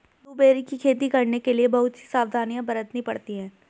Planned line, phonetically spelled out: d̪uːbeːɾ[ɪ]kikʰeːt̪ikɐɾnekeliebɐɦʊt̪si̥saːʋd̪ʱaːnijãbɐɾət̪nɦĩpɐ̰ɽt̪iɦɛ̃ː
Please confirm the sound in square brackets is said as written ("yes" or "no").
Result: no